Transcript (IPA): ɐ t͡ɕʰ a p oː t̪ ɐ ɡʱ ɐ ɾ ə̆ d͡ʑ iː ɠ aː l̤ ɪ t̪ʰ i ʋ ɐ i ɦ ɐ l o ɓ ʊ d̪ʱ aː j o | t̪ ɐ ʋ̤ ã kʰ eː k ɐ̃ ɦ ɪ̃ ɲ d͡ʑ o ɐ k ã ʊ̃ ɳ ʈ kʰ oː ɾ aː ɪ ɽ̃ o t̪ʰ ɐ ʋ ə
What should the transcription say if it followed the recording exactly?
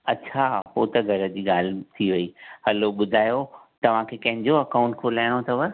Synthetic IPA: ɐ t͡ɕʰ a p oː t̪ ɐ ɡʱ ɐ ɾ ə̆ d͡ʑ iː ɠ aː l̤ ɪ t̪ʰ i ʋ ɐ i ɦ ɐ l o ɓ ʊ d̪ʱ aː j o | t̪ ɐ ʋ̤ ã kʰ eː k ɐ̃ ɦ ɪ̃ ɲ d͡ʑ o ɐ k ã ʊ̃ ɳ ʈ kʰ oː l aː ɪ ɽ̃ o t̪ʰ ɐ ʋ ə